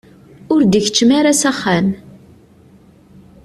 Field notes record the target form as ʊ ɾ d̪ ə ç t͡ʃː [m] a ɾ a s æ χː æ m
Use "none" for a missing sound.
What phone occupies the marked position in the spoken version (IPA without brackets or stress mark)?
m